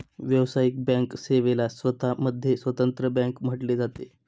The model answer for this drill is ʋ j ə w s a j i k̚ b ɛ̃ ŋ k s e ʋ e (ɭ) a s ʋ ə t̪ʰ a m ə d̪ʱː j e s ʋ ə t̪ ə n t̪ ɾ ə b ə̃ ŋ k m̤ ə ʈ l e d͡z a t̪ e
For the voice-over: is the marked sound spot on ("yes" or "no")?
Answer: no